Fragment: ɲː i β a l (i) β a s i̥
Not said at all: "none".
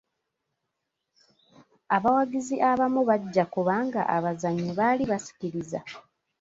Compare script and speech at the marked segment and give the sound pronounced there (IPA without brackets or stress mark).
i